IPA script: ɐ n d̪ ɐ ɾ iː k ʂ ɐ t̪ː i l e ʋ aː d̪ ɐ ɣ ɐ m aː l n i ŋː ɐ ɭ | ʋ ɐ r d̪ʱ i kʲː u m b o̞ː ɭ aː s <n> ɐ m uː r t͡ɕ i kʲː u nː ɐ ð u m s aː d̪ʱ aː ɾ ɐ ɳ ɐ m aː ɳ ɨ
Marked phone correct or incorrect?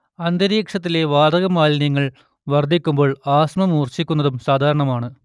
incorrect